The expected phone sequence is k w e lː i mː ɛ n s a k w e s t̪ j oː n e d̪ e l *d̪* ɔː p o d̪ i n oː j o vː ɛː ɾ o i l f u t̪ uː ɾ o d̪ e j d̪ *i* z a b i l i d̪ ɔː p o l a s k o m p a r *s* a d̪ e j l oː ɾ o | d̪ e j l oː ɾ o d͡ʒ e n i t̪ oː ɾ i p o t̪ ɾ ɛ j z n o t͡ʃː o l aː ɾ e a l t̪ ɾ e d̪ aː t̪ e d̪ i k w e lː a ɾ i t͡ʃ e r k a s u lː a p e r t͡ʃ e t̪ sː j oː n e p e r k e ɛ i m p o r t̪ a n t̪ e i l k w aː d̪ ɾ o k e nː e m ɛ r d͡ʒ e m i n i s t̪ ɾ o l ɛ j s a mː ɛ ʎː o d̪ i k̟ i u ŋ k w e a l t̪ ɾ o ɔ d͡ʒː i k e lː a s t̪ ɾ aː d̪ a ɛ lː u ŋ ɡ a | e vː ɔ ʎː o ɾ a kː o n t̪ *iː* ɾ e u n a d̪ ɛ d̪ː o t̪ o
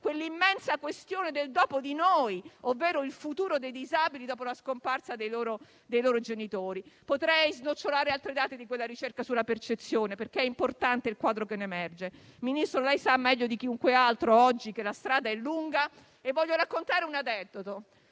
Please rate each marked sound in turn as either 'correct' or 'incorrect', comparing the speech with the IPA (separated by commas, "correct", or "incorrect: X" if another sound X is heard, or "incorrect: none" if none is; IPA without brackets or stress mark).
correct, correct, correct, incorrect: aː